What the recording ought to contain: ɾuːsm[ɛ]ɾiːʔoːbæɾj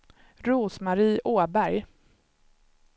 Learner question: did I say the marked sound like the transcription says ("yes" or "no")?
no